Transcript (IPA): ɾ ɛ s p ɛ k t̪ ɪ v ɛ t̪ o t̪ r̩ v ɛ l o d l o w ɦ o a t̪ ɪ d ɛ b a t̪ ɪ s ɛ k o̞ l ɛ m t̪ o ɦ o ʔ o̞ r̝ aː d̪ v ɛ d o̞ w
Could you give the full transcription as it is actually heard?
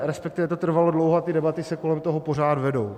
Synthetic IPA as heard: ɾ ɛ s p ɛ k t̪ ɪ v ɛ t̪ o t̪ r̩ v a l o d l o w ɦ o a t̪ ɪ d ɛ b a t̪ ɪ s ɛ k o̞ l ɛ m t̪ o ɦ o p o̞ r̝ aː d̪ v ɛ d o̞ w